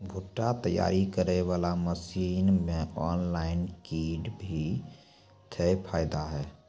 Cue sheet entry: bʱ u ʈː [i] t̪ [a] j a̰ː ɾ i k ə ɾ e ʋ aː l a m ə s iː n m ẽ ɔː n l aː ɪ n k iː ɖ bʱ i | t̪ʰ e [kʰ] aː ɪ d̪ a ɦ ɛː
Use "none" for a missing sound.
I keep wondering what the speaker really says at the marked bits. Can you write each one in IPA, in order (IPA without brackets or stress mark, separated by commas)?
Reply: a, ə, pʰ